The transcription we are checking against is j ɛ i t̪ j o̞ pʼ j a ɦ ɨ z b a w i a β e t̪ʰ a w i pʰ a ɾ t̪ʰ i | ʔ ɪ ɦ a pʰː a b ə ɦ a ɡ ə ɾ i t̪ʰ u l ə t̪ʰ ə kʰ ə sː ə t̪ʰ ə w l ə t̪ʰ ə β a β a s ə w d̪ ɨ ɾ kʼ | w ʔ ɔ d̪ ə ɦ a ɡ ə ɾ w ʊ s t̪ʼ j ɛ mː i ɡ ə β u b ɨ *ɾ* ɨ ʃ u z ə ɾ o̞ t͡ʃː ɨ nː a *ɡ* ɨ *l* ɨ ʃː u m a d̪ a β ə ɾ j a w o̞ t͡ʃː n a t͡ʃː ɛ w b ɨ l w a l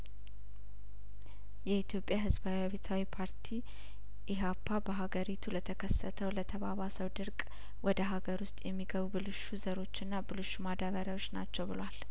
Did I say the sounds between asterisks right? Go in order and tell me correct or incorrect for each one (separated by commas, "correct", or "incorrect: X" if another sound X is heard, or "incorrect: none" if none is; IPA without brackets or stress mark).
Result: incorrect: l, incorrect: b, correct